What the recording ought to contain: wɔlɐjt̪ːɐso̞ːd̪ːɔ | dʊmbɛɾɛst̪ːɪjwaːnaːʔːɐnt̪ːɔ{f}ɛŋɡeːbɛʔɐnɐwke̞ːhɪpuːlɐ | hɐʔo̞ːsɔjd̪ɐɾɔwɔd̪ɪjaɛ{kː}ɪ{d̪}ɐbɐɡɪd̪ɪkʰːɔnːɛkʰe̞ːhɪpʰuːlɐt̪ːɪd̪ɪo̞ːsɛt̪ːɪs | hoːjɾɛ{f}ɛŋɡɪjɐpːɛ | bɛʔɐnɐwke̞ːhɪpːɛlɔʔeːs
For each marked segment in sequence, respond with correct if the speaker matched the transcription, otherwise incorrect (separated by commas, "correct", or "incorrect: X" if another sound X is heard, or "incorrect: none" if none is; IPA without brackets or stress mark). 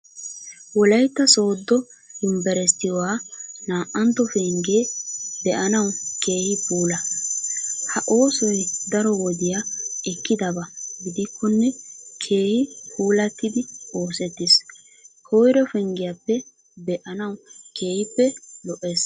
correct, correct, correct, correct